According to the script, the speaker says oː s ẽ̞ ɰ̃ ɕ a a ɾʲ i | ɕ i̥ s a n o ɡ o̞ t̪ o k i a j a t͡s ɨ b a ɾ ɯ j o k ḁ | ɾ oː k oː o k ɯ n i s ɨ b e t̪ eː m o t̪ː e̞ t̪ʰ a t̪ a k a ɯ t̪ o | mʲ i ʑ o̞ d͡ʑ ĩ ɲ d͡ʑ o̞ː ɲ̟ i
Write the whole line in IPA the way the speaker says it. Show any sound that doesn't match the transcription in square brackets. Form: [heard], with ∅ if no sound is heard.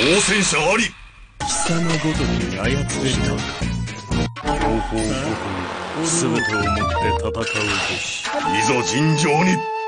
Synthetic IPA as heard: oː s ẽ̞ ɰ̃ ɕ a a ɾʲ i | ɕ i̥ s a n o ɡ o̞ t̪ o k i a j a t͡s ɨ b [e] ɾ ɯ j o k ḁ | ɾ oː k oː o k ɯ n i s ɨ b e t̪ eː m o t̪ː e̞ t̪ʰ a t̪ a k a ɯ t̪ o | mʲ i [z] o̞ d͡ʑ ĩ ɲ d͡ʑ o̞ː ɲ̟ i